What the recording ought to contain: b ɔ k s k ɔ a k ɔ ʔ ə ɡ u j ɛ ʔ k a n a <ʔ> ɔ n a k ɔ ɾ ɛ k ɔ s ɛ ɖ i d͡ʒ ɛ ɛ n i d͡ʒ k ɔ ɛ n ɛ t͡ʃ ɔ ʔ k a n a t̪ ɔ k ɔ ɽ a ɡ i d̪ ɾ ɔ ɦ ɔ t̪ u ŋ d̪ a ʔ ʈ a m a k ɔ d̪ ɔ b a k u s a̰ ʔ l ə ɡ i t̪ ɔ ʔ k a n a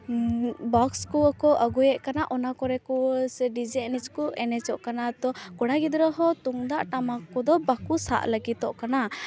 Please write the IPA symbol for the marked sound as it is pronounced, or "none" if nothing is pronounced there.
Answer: ʔ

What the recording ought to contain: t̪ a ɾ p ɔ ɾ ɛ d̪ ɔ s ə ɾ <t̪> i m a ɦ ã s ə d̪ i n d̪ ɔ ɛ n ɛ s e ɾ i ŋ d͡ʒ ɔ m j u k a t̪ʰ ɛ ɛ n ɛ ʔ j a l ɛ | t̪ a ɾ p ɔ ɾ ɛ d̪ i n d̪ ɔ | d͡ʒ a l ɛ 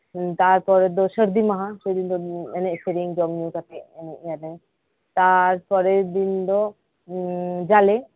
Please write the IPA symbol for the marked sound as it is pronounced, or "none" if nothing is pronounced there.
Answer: d̪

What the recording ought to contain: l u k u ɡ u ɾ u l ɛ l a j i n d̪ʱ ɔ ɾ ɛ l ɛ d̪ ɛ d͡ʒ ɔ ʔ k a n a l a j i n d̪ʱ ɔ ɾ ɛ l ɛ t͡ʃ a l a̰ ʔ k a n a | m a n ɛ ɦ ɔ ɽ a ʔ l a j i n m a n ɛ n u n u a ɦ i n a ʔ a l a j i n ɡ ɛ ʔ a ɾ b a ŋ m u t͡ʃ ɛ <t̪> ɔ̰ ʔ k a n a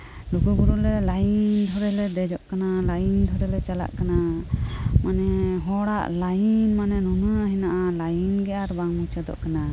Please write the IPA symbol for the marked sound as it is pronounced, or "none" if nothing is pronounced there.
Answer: d̪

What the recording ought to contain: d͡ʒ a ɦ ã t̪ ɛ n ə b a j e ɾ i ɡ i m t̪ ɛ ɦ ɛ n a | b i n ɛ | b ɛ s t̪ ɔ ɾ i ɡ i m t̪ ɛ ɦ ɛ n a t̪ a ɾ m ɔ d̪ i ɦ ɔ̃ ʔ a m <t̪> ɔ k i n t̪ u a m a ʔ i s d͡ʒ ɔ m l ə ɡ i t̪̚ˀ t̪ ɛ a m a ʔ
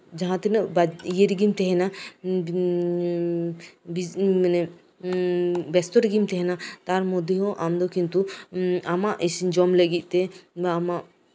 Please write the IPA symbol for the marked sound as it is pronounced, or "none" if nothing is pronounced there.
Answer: d̪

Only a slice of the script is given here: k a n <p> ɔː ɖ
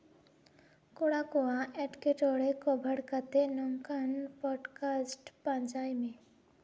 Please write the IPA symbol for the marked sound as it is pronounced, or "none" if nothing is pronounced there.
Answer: p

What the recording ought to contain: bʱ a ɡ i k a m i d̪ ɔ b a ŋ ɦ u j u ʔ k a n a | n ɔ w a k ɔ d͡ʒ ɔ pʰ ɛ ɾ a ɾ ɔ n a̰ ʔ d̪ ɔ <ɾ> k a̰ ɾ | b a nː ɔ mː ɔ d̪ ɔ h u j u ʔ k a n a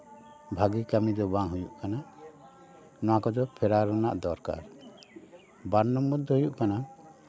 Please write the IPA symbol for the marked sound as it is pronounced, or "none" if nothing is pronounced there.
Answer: ɾ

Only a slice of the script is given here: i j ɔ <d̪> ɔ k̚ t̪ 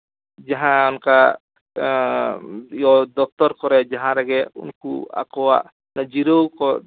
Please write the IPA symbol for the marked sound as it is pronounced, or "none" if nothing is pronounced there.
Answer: d̪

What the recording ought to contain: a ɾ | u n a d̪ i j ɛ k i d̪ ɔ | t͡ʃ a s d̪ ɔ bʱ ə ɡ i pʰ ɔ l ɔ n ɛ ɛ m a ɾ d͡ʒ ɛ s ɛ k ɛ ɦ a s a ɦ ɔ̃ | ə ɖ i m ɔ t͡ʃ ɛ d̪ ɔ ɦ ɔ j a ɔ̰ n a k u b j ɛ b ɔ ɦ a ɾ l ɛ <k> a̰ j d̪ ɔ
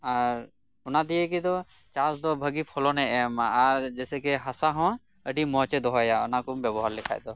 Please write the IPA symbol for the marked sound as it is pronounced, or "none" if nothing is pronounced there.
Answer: kʰ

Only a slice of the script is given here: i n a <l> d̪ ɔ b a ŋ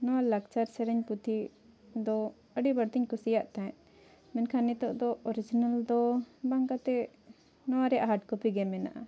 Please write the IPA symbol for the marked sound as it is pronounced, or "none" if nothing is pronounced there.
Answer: l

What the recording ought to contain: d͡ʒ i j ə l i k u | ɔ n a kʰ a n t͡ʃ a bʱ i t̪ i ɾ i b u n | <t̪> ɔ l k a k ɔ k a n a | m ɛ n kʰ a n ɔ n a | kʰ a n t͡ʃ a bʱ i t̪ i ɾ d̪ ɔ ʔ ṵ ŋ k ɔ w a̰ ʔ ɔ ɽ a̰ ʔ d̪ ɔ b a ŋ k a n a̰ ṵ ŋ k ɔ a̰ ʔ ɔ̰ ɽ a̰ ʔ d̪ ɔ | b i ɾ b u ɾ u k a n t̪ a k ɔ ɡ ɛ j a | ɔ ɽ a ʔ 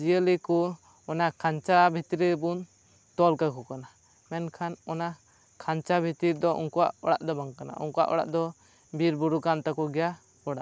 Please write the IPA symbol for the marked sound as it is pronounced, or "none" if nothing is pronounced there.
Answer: t̪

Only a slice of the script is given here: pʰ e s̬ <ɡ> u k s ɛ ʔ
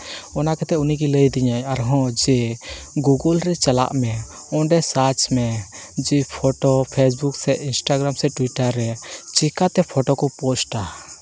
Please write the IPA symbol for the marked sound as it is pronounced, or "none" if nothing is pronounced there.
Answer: b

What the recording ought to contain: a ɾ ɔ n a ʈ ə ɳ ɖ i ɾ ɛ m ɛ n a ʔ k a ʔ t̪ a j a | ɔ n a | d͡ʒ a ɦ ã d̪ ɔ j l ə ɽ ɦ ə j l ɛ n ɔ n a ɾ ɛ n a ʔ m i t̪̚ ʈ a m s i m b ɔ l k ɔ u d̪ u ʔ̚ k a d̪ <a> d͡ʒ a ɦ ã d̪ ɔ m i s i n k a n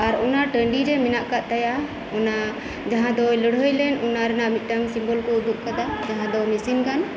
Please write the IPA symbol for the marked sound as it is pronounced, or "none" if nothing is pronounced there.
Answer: a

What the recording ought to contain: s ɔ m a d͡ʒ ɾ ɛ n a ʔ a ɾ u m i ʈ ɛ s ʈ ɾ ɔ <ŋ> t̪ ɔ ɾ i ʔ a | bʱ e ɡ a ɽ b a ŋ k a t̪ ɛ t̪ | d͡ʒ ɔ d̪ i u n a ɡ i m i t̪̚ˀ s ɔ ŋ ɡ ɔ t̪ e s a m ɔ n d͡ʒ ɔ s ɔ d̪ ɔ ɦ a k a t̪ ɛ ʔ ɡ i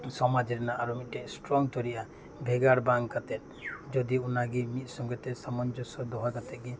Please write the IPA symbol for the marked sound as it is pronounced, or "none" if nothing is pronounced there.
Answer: ŋ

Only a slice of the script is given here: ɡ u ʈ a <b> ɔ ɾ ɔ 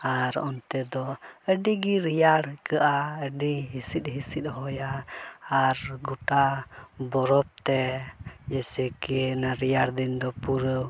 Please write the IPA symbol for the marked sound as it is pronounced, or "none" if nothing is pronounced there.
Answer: b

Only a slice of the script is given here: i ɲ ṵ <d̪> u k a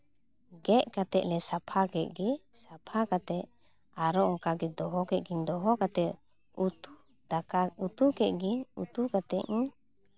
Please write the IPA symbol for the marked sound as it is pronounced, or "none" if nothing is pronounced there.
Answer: t̪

